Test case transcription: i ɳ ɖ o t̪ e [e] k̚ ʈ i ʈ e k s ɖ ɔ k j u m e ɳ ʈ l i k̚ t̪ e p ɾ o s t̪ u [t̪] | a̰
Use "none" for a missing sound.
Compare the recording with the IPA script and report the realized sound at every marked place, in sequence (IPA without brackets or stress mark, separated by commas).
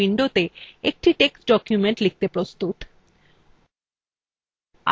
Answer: e, t̪